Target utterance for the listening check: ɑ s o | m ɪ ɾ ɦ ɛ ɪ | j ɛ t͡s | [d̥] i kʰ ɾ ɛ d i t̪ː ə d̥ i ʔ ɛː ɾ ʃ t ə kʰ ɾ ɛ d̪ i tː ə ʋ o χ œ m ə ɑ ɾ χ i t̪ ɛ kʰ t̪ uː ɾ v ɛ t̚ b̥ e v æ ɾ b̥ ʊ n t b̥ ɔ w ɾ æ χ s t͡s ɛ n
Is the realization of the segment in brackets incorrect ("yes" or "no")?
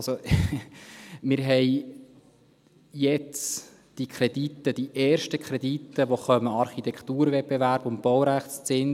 no